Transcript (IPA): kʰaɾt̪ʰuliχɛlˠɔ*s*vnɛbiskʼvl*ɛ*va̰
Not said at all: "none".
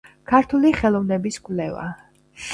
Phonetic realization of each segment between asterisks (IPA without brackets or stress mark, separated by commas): none, ɛ